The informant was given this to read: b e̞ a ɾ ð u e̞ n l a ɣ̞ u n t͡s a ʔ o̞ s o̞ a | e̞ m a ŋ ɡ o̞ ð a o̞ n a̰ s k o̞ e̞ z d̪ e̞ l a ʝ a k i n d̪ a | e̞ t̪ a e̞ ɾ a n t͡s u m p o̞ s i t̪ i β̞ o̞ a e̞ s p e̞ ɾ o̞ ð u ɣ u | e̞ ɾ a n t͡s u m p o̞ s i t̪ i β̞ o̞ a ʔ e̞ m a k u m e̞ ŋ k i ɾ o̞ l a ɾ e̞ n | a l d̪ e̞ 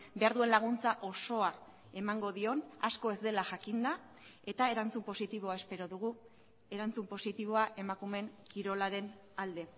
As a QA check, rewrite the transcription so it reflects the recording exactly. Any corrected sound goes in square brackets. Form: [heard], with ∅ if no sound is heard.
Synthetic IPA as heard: b e̞ a ɾ ð u e̞ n l a ɣ̞ u n t͡s a ʔ o̞ s o̞ a | e̞ m a ŋ ɡ o̞ ð [i] o̞ n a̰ s k o̞ e̞ z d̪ e̞ l a ʝ a k i n d̪ a | e̞ t̪ a e̞ ɾ a n t͡s u m p o̞ s i t̪ i β̞ o̞ a e̞ s p e̞ ɾ o̞ ð u ɣ u | e̞ ɾ a n t͡s u m p o̞ s i t̪ i β̞ o̞ a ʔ e̞ m a k u m e̞ ŋ k i ɾ o̞ l a ɾ e̞ n | a l d̪ e̞